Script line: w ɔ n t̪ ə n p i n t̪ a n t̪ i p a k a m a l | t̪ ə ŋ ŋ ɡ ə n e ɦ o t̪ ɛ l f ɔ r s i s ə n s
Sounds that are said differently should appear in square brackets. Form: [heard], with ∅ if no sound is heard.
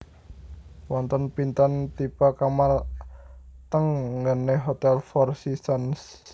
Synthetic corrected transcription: w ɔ n t̪ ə n p i n t̪ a n t̪ i p a k a m a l | t̪ ə ŋ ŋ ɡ ə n e ɦ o t̪ ɛ l f ɔ r s i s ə n s